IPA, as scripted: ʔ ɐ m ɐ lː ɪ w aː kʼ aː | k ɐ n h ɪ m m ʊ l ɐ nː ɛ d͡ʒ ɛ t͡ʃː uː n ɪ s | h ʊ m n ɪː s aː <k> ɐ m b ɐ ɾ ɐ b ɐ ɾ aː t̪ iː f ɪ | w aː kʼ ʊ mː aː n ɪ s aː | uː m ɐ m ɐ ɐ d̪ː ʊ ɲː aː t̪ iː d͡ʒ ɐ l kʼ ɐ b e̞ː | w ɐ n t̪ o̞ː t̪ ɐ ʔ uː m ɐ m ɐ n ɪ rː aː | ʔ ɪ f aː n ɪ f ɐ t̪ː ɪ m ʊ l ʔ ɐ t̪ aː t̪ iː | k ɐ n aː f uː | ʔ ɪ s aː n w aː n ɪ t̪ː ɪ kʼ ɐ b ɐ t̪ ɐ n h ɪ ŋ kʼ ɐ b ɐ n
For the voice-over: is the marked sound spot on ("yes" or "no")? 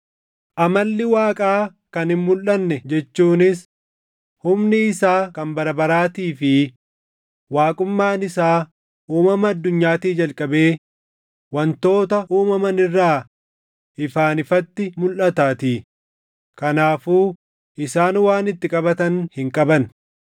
yes